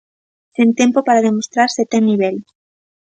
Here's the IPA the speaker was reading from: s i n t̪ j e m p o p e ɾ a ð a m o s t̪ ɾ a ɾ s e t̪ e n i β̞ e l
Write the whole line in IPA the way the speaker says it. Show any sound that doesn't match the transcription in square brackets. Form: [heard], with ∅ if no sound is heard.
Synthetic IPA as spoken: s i n t̪ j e m p o p [a] ɾ a ð [e] m o s t̪ ɾ a ɾ s e t̪ e n i β̞ e l